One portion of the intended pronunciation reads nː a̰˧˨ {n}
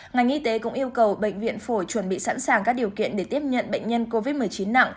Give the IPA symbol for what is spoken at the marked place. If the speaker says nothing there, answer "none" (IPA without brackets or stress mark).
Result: ŋ